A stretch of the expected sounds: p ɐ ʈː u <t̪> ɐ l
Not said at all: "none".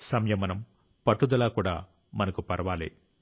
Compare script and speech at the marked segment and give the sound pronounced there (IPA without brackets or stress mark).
d̪